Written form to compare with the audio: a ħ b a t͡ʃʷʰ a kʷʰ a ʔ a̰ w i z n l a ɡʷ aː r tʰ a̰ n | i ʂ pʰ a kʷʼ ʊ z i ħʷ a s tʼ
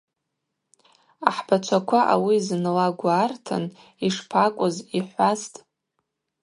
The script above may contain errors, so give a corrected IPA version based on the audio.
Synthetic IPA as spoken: a ħ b a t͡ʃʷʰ a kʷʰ a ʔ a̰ w i z n l a ɡʷ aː r tʰ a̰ n | i ʂ pʰ a kʷʼ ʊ z i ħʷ a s tʼ